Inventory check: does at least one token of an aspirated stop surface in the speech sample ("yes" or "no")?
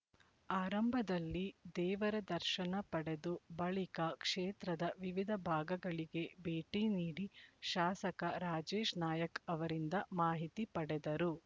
no